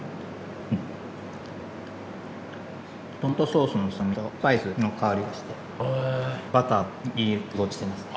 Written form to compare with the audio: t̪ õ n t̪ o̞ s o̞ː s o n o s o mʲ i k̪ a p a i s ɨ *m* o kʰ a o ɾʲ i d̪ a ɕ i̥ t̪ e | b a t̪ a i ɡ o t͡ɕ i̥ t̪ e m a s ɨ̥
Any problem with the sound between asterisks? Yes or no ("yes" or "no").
yes